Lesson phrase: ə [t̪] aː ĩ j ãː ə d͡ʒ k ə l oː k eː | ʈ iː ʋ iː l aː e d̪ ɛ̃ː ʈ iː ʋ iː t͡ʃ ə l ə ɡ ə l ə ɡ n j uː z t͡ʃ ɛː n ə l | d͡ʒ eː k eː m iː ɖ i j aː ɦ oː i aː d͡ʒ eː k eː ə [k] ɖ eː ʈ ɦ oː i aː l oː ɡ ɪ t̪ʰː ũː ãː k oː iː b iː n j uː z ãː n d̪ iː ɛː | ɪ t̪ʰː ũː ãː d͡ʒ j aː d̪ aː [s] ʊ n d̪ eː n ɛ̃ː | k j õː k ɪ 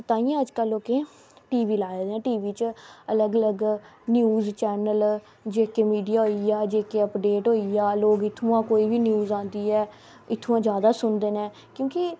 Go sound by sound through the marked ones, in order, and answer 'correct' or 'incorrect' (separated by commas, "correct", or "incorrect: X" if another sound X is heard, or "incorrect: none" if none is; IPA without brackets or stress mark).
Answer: correct, incorrect: p, correct